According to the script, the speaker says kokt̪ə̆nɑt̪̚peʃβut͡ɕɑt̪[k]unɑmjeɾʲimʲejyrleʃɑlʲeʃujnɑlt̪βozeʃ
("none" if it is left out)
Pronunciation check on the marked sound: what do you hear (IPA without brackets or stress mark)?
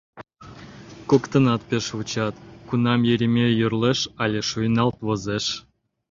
k